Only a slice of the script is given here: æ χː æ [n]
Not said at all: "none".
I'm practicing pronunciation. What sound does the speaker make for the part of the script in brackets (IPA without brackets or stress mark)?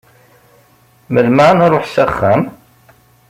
m